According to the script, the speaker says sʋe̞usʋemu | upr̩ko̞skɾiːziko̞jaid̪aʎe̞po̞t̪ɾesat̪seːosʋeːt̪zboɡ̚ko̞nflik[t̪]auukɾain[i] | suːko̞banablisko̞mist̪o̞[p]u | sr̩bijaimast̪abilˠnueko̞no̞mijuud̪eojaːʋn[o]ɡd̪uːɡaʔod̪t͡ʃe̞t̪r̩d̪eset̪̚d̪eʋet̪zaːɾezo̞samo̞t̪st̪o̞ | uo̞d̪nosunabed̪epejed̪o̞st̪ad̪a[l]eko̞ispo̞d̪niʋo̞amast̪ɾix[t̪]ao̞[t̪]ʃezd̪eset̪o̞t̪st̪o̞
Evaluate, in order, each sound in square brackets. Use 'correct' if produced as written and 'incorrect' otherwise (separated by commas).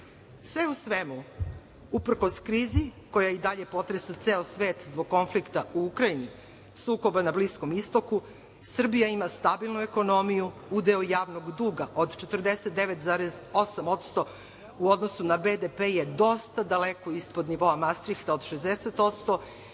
correct, correct, incorrect, correct, correct, correct, incorrect